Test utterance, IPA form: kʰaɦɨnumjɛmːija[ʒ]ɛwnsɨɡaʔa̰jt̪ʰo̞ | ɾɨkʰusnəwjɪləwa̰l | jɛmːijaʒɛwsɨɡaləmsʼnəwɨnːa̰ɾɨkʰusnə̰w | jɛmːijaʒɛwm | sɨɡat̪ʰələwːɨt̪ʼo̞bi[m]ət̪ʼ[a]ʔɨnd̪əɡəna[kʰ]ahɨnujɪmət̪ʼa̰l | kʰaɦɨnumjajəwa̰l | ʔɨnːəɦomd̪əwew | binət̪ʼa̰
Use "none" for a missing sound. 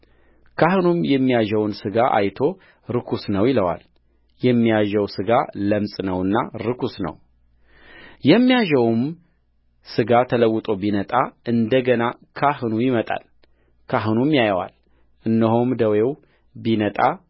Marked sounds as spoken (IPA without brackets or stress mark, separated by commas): ʒ, n, a, kʰ